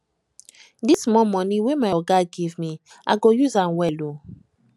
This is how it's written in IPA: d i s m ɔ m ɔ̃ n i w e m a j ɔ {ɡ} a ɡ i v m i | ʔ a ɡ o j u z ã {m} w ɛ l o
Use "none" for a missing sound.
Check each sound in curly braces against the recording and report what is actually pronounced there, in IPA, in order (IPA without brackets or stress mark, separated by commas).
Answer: ɡ, n